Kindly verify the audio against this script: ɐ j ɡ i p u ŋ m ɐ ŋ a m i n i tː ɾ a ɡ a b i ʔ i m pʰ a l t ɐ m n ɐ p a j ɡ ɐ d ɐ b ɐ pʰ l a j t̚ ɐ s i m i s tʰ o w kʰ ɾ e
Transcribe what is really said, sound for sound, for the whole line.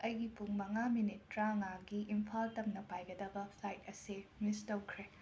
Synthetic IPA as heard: ɐ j ɡ i p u ŋ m ɐ ŋ a m i n i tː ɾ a ŋ a ɡ i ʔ i m pʰ a l t ɐ m n ɐ p a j ɡ ɐ d ɐ b ɐ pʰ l a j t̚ ɐ s i m i s t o w kʰ ɾ e